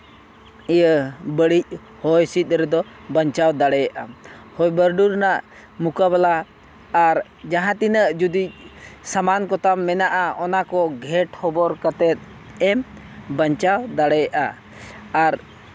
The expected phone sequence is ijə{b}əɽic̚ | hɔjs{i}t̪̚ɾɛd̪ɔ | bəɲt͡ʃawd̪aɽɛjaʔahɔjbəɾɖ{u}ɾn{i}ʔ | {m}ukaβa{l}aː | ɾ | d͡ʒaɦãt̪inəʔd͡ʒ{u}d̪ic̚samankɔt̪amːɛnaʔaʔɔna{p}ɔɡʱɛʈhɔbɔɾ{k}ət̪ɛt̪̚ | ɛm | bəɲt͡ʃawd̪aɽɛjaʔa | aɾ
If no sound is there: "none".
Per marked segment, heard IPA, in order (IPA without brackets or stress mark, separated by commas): b, i, u, a, m, l, u, k, k